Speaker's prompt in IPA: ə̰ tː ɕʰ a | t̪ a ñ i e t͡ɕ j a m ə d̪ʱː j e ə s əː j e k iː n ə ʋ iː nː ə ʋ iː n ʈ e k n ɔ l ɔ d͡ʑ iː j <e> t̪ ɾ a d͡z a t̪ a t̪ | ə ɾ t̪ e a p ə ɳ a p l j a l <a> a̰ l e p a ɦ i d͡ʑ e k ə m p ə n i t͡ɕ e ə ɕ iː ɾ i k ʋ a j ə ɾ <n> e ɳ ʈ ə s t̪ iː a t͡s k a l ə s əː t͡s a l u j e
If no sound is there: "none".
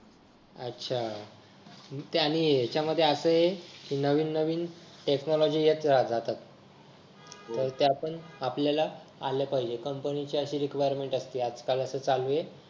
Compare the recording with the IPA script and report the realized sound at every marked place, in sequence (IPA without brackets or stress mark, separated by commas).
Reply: e, a, m